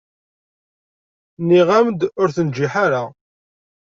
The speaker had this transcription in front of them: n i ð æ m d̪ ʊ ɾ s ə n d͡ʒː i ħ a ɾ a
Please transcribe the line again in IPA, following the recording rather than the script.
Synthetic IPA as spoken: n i ʁ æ m d̪ ʊ ɾ θ ə n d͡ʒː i ħ a ɾ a